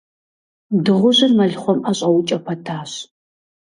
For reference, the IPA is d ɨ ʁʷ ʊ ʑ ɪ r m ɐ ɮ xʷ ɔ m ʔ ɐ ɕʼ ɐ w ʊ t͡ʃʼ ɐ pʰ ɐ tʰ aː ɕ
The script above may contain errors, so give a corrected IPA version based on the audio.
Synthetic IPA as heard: d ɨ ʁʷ ʊ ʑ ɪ r m ɐ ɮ χʷ ɔ m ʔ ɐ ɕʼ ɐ w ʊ t͡ʃʼ ɐ pʰ ɐ tʰ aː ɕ